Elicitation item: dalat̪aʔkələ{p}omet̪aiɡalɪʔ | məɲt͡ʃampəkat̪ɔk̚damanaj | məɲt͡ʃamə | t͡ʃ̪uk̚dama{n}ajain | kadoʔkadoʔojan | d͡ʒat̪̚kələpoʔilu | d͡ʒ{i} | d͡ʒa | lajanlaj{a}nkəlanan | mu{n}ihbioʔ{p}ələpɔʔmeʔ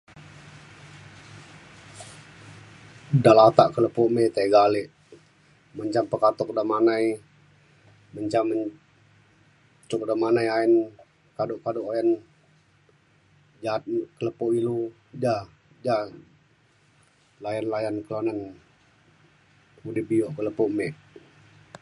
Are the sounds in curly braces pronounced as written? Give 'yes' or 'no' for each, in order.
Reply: yes, yes, no, yes, no, no

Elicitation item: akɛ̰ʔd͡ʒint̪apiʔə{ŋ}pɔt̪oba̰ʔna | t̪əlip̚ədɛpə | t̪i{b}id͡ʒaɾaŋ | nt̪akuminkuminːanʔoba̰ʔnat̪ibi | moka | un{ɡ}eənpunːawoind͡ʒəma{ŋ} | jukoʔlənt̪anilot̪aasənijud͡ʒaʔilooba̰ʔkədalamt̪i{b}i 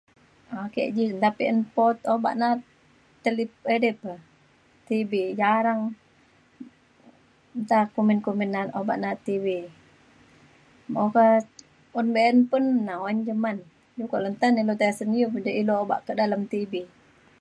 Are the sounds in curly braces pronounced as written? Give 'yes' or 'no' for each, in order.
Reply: no, yes, no, no, yes

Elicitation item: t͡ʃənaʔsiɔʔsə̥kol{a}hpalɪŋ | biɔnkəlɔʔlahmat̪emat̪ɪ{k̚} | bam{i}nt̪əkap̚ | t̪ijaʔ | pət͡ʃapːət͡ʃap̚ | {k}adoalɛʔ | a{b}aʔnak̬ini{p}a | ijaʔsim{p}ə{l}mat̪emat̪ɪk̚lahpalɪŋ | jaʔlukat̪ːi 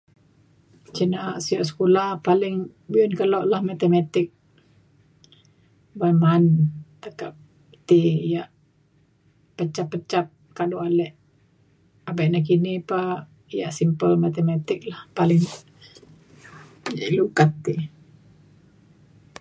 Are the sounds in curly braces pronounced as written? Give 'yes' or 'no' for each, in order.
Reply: yes, yes, no, yes, yes, yes, yes, yes

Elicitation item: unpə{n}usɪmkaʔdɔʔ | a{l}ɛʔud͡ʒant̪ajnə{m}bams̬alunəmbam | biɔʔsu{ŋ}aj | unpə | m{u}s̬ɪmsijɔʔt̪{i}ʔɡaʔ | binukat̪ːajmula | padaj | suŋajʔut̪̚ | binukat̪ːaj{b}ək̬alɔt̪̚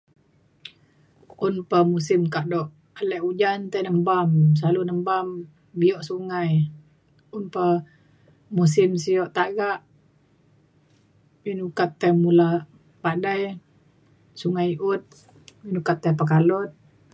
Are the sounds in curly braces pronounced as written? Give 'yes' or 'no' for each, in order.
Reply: no, yes, yes, yes, yes, no, no

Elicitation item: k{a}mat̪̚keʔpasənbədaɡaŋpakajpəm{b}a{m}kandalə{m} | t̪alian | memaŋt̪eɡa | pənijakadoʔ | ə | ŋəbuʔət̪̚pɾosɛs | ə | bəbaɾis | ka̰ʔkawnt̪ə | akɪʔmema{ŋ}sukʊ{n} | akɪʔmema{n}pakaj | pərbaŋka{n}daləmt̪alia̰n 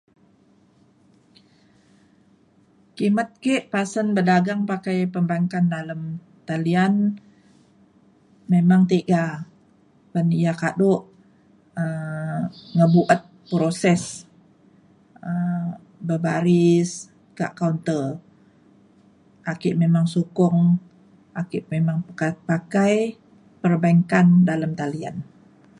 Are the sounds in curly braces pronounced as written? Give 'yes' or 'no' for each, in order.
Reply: no, yes, no, yes, yes, no, no, yes

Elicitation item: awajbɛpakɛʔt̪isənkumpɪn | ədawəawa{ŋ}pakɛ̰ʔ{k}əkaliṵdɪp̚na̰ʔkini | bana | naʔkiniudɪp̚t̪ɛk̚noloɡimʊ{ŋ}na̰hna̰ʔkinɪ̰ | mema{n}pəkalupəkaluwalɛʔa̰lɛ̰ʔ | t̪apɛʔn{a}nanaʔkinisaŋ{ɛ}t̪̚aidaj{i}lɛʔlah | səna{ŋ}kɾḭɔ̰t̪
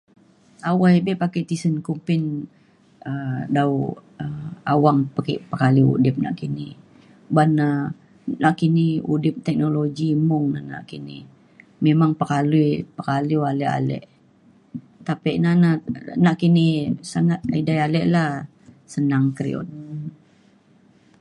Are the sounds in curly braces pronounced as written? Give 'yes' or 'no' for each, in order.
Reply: yes, no, yes, no, yes, no, no, yes

